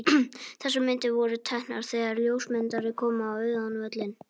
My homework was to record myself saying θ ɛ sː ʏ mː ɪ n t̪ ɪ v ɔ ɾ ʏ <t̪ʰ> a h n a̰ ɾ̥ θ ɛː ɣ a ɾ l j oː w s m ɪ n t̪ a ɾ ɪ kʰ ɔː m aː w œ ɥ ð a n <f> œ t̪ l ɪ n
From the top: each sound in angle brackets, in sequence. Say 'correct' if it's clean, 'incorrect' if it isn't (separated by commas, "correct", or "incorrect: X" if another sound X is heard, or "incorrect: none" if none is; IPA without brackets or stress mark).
correct, incorrect: v